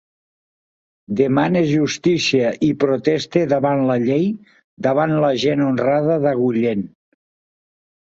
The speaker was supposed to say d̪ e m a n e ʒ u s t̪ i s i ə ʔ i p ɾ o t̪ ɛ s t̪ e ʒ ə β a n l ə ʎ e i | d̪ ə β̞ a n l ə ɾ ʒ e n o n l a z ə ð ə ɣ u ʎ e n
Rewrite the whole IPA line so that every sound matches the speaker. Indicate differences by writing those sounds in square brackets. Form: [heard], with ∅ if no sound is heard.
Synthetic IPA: d̪ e m a n e ʒ u s t̪ i s i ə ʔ i p ɾ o t̪ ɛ s t̪ e [ð] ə β a n l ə ʎ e [j] | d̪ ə β̞ a n l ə [∅] ʒ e n o n [r] a [ð] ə ð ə ɣ u ʎ e n